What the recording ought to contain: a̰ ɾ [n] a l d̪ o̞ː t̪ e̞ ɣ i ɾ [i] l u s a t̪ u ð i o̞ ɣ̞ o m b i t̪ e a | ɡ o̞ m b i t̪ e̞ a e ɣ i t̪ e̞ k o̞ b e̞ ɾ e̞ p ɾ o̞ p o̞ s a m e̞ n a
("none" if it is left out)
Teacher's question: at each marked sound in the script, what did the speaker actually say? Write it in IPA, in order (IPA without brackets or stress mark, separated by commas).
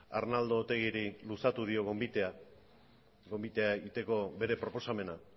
n, i